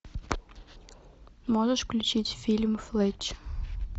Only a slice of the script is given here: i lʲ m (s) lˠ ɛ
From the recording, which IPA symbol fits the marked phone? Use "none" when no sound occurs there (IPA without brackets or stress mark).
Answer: f